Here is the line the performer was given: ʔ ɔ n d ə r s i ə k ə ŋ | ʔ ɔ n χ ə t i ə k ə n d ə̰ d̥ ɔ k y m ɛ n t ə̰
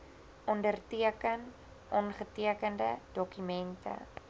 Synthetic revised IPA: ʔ ɔ n d ə r t i ə k ə n | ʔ ɔ n χ ə t i ə k ə n d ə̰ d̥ ɔ k y m ɛ n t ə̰